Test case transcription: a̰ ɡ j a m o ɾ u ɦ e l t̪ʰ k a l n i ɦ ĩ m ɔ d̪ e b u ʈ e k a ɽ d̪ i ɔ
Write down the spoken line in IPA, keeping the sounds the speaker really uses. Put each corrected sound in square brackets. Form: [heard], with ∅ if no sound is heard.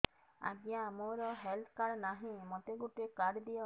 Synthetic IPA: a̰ ɡ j a m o ɾ [ɔ] ɦ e l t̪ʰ k a [ɾ] n [a] ɦ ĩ m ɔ [t̪] e [ɡ] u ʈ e k a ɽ d̪ i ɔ